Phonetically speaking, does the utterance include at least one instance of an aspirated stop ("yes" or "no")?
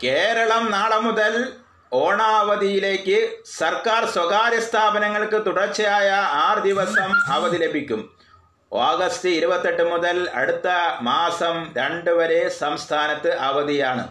yes